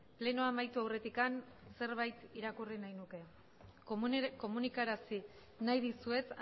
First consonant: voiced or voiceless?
voiceless